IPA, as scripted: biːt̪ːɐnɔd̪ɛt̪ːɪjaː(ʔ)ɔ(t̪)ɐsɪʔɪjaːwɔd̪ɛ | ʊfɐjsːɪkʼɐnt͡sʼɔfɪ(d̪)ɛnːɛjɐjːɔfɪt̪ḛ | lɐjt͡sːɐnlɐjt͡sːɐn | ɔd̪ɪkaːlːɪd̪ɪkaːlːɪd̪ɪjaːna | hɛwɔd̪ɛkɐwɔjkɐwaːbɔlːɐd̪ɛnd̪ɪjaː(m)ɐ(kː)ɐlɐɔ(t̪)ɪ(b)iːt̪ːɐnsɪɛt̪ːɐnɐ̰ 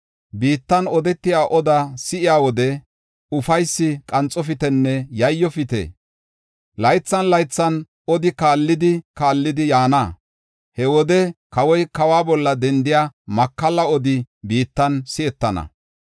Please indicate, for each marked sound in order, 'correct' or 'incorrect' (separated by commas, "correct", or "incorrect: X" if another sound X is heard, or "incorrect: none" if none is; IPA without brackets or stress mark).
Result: correct, incorrect: d̪, incorrect: t̪, correct, correct, incorrect: d̪, correct